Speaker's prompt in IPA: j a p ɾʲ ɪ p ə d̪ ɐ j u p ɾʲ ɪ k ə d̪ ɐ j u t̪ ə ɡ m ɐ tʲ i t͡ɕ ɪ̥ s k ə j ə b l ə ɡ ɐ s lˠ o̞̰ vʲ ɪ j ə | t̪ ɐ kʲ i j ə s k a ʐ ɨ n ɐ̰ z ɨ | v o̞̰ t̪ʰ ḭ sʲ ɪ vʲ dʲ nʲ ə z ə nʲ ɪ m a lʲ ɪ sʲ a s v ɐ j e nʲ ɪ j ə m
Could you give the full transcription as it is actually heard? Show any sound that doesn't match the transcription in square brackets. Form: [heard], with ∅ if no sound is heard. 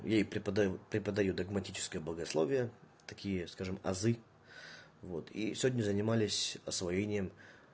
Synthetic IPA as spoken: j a p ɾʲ ɪ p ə d̪ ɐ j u p ɾʲ ɪ [p] ə d̪ ɐ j u [d̪] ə ɡ m ɐ tʲ i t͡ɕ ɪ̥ s k ə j ə b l ə ɡ ɐ s lˠ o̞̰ vʲ ɪ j ə | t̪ ɐ kʲ i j ə s k a ʐ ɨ [m] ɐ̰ z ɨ | v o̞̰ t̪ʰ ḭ sʲ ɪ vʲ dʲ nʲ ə z ə nʲ ɪ m a lʲ ɪ sʲ [ɐ] s v ɐ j e nʲ ɪ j ə m